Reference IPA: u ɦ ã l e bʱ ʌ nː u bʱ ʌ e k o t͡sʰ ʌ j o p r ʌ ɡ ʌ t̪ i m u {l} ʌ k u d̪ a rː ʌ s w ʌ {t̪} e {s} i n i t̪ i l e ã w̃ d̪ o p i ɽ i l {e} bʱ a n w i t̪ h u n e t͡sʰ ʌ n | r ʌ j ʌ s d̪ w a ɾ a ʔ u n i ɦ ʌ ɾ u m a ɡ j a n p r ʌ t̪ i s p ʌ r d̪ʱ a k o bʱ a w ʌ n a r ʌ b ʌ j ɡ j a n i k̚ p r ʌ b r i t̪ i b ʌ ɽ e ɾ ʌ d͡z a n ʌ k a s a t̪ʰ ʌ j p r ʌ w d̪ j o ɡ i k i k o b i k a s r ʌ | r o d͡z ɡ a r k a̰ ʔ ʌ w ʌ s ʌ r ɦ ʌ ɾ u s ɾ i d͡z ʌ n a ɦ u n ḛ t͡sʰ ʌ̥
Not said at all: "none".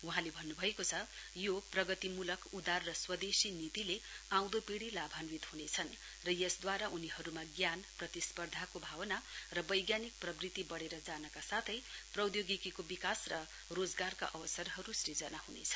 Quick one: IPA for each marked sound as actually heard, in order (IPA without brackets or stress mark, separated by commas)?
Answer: l, d̪, s, a